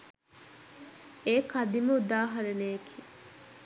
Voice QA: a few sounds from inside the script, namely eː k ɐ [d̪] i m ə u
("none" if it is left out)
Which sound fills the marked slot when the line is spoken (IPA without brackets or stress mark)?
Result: d̪